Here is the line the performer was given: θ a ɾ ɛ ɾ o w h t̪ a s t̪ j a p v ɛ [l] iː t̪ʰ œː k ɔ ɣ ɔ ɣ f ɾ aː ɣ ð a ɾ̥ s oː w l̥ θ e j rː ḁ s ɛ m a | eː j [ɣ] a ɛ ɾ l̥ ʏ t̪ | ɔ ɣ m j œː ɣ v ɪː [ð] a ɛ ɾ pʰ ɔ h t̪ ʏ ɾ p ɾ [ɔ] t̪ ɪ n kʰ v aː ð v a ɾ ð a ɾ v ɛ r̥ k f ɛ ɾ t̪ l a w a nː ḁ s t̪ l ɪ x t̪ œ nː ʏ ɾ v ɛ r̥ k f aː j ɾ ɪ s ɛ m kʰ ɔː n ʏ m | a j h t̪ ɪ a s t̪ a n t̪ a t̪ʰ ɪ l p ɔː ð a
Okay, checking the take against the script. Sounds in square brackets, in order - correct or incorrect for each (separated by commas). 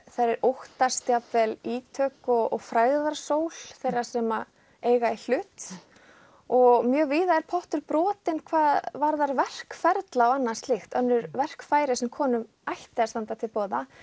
correct, correct, correct, incorrect